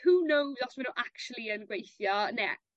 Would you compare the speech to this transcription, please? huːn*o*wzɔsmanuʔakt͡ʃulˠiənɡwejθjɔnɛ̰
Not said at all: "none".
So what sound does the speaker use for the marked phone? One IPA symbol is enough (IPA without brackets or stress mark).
o